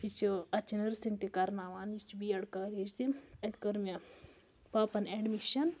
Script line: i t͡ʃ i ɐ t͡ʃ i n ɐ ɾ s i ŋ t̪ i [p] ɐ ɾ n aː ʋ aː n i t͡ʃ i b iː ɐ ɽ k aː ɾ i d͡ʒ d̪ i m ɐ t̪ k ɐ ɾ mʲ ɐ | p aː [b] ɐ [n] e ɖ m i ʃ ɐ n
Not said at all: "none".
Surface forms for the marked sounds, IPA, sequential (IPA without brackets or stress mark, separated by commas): k, p, n